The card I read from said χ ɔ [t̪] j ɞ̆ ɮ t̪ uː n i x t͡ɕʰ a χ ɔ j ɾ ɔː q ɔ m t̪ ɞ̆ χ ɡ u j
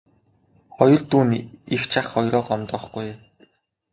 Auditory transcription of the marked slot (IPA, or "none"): none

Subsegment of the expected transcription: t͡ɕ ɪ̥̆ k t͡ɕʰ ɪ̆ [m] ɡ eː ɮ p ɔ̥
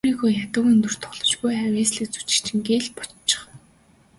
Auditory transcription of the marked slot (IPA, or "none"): ŋ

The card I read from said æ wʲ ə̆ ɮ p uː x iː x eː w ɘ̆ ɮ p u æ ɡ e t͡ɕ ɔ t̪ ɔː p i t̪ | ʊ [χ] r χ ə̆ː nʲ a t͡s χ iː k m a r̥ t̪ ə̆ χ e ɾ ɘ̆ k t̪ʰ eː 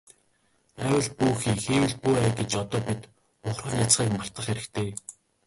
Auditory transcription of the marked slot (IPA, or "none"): χ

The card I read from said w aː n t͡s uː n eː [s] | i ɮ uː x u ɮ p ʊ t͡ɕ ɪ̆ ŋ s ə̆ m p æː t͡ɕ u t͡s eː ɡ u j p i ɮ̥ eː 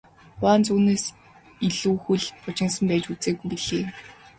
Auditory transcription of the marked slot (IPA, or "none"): s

